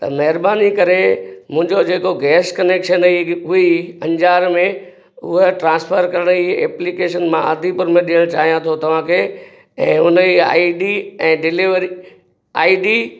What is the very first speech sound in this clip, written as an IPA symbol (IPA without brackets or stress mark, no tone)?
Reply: t̪